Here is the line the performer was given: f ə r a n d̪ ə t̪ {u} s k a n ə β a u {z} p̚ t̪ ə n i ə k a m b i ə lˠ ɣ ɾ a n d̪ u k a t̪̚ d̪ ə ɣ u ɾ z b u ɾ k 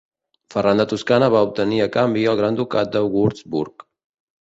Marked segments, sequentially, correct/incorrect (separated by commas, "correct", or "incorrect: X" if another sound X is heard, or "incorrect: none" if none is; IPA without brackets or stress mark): correct, incorrect: none